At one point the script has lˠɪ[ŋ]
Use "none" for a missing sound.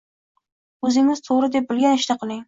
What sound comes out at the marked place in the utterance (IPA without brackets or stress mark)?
ŋ